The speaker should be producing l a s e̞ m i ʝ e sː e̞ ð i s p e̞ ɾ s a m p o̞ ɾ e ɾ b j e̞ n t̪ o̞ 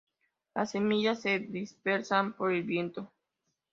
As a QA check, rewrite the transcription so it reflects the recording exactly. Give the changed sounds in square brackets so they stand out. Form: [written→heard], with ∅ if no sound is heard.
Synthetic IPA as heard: l a s e̞ m i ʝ [e→a] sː e̞ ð i s p e̞ ɾ s a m p o̞ ɾ e [ɾ→l] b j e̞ n t̪ o̞